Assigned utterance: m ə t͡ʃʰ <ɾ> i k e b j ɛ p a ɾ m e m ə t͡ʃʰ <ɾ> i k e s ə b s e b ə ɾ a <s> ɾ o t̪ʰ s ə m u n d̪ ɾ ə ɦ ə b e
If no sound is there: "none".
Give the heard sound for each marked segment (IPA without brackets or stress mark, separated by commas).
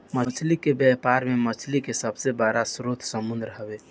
l, l, s